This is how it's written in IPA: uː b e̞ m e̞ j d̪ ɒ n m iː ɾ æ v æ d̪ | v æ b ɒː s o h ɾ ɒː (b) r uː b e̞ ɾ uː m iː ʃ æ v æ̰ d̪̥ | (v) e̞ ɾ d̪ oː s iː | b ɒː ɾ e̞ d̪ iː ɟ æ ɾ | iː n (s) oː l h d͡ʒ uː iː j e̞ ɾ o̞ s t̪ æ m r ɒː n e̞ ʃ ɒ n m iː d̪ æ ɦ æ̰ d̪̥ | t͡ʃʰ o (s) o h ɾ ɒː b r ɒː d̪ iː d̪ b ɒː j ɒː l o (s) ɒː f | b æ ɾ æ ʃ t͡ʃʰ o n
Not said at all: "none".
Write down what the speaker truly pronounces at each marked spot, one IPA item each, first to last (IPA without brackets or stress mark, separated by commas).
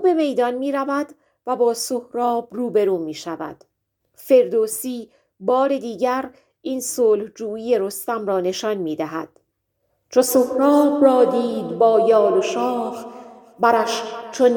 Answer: b, f, s, s, ʃ